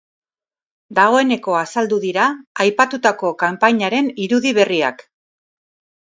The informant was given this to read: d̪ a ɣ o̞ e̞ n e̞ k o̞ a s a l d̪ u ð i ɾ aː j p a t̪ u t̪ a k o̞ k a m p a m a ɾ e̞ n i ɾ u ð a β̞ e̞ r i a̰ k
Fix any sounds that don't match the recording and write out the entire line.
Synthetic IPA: d̪ a ɣ o̞ e̞ n e̞ k o̞ a s a l d̪ u ð i ɾ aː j p a t̪ u t̪ a k o̞ k a m p a ɲ a ɾ e̞ n i ɾ u ð i β̞ e̞ r i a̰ k